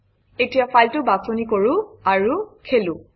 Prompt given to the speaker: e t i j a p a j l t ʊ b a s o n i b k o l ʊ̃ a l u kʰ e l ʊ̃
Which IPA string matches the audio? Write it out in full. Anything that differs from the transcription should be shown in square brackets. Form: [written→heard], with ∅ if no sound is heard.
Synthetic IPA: e t i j a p a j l t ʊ b a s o n i [b→∅] k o [l→ɹ] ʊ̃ a [l→ɹ] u kʰ e l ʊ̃